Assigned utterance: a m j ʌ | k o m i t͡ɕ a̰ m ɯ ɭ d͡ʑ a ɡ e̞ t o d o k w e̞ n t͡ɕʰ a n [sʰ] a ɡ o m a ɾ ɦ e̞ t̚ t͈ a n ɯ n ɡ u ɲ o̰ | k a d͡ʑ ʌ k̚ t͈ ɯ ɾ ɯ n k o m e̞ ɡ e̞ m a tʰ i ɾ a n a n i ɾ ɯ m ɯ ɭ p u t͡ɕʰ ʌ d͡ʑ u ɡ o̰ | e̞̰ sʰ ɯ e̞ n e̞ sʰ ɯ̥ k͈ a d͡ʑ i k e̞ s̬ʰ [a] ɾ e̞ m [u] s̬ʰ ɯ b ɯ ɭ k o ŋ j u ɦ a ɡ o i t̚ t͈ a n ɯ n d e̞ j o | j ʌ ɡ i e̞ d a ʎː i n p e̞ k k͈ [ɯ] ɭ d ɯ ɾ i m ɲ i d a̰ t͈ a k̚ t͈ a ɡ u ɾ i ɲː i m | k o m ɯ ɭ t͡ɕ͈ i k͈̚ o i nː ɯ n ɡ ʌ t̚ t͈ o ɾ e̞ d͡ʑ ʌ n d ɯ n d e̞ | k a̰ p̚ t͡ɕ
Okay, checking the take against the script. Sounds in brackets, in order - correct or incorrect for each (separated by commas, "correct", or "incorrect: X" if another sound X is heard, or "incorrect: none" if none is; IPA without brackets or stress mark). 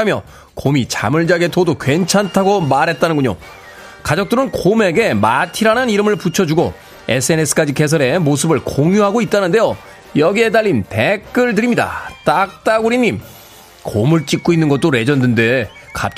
incorrect: tʰ, incorrect: ʌ, incorrect: o, correct